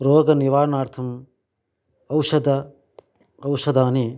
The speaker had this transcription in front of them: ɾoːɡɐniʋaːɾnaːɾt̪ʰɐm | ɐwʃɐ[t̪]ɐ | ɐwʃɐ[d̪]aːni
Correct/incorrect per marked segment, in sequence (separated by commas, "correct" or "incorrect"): incorrect, correct